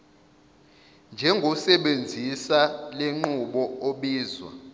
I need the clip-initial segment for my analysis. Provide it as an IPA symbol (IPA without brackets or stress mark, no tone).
n